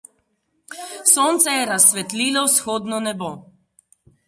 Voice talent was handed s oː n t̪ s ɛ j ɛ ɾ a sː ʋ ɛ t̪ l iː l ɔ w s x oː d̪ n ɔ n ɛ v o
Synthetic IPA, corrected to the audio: s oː n t̪ s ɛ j ɛ ɾ a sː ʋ ɛ t̪ l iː l ɔ w s x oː d̪ n ɔ n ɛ b o